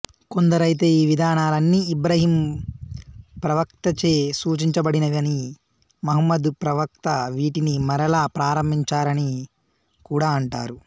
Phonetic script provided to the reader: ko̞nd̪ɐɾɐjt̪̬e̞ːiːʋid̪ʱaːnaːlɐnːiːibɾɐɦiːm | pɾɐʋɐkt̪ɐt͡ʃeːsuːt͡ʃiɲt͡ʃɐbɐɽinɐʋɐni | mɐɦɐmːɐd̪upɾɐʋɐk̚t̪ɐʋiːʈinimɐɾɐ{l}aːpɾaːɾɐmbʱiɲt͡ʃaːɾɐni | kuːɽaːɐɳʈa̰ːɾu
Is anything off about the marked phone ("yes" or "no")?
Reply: no